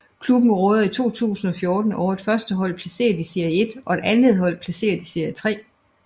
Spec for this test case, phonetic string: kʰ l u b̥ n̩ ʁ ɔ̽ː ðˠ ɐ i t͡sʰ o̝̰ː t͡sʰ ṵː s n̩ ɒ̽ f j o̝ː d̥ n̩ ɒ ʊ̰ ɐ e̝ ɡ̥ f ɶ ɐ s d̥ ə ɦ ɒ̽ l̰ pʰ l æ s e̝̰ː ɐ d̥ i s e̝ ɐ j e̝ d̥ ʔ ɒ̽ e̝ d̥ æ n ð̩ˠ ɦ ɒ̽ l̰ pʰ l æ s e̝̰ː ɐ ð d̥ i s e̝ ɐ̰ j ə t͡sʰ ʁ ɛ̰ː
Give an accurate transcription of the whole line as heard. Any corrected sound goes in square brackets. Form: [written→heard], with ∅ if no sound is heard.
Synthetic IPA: kʰ l u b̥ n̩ ʁ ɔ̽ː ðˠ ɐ i t͡sʰ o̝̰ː t͡sʰ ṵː s n̩ ɒ̽ f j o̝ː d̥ n̩ ɒ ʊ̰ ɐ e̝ [ɡ̥→d̥] f ɶ ɐ s d̥ ə ɦ ɒ̽ l̰ pʰ l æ s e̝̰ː ɐ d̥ i s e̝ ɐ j e̝ d̥ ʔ ɒ̽ e̝ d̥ æ n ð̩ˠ ɦ ɒ̽ l̰ pʰ l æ s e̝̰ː ɐ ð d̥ i s e̝ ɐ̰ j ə t͡sʰ ʁ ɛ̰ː